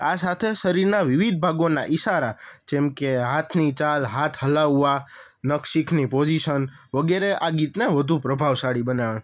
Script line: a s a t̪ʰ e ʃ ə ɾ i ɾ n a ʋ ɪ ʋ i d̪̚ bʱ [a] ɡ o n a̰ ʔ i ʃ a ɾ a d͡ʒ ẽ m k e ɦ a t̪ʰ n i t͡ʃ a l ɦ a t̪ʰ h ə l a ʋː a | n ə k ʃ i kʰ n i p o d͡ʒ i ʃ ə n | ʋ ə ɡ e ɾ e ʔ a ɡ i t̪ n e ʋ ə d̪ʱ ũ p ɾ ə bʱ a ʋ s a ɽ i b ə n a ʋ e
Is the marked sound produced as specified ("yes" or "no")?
yes